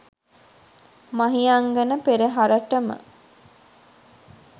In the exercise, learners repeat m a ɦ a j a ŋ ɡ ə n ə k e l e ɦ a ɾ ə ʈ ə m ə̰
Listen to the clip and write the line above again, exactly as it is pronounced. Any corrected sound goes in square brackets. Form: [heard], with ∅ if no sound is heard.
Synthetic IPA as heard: m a ɦ [i] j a ŋ ɡ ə n ə [p] e [ɾ] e ɦ a ɾ ə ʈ ə m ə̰